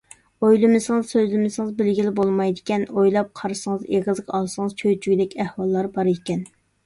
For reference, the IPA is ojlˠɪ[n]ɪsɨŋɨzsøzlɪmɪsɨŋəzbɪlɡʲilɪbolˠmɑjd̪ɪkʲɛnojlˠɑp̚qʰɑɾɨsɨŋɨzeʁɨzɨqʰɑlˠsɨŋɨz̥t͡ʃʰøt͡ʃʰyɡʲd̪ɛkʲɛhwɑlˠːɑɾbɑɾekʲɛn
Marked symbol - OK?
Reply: no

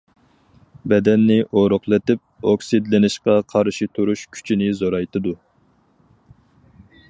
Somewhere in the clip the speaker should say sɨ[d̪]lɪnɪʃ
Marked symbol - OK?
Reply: yes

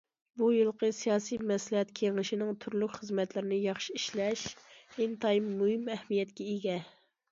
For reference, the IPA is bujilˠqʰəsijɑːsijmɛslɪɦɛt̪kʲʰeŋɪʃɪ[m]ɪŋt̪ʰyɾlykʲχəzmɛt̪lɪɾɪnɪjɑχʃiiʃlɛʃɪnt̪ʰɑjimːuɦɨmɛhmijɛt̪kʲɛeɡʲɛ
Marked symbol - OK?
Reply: no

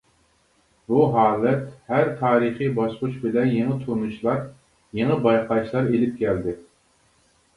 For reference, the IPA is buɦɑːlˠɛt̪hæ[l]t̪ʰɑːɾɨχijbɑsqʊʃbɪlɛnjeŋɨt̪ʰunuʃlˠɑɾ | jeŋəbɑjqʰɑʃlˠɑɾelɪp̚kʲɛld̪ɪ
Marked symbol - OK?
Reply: no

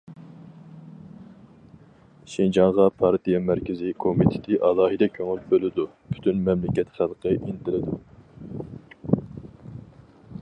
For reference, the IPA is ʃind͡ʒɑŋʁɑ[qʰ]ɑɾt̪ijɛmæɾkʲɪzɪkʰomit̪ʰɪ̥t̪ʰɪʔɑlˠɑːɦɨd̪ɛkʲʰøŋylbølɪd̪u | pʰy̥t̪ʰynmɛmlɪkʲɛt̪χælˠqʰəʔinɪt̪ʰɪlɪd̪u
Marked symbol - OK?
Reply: no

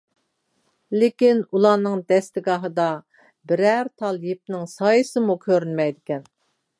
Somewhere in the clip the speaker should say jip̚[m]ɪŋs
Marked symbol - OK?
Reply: no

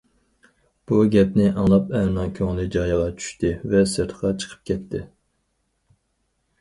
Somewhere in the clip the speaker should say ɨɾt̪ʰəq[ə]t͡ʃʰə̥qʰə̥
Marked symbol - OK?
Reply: no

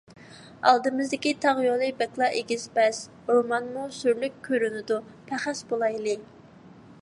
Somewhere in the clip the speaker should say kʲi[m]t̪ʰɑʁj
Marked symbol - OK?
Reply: no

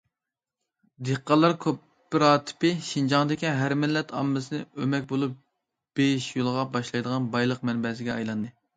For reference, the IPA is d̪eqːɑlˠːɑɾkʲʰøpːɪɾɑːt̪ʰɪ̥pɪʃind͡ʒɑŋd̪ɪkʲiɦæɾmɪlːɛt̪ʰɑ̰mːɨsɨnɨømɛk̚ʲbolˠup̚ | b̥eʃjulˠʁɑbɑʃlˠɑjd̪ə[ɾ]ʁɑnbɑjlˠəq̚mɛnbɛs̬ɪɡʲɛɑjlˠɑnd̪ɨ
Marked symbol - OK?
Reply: no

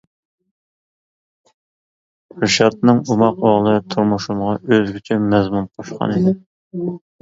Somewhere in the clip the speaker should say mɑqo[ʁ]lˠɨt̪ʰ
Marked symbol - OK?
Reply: yes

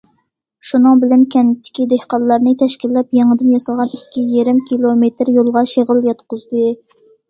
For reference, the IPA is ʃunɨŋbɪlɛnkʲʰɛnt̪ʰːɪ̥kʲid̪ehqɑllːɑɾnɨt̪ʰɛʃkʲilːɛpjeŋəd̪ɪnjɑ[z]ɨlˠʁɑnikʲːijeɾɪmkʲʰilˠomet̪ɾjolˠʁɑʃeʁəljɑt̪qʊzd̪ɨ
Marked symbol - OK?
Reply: no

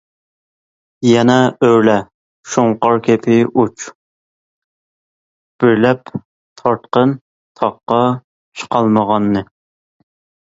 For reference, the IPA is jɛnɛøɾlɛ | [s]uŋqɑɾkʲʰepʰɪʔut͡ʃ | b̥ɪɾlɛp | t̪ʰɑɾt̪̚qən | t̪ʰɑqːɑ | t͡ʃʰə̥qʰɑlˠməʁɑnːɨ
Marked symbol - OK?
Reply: no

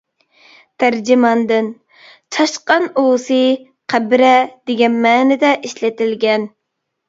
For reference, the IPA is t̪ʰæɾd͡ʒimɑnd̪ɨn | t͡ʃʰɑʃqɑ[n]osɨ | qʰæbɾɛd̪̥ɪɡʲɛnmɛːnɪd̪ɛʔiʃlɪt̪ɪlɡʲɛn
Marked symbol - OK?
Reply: yes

